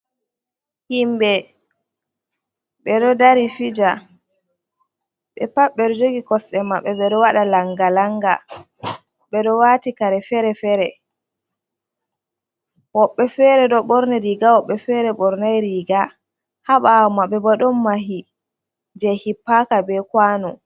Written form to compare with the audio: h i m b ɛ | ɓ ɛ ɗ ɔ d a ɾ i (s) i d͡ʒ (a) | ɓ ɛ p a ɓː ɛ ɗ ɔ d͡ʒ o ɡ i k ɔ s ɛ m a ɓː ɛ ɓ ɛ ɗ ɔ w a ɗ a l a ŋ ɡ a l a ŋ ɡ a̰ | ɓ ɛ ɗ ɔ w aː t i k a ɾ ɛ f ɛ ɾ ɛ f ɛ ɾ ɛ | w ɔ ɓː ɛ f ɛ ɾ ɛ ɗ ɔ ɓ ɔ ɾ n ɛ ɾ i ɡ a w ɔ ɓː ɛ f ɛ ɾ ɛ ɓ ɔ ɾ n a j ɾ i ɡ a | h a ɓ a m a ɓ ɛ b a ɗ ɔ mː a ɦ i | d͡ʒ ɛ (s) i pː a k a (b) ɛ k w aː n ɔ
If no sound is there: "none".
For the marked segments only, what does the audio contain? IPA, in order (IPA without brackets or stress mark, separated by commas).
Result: f, a, h, b